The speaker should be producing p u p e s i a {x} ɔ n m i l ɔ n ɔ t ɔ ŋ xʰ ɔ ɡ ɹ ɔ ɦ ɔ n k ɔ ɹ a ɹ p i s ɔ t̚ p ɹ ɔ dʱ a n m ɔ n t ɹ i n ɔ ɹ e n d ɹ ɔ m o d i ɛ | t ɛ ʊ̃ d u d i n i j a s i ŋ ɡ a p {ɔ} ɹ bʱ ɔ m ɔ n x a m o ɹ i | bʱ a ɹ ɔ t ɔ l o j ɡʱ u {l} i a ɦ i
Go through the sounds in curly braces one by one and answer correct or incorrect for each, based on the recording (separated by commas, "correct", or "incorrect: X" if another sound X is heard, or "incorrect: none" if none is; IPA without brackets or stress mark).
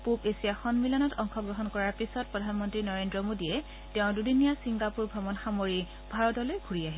correct, incorrect: u, incorrect: ɹ